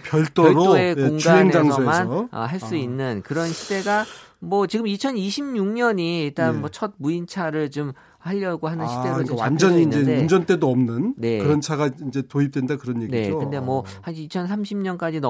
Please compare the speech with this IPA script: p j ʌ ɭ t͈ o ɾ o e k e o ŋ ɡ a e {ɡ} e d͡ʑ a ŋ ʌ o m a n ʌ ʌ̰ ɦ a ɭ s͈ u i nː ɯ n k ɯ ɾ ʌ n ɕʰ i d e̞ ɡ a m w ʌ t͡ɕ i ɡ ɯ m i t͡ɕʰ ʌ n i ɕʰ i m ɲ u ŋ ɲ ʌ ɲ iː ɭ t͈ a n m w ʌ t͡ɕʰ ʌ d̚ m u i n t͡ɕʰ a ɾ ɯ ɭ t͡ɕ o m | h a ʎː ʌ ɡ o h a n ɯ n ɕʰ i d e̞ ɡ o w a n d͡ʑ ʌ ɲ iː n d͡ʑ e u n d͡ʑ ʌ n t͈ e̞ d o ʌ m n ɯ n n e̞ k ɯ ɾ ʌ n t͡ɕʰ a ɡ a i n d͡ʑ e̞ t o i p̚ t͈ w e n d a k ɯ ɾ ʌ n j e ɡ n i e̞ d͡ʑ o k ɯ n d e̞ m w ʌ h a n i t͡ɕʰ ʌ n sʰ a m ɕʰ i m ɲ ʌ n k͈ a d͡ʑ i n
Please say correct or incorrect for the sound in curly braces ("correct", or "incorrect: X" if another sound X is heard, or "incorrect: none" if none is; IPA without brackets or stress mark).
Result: incorrect: ŋ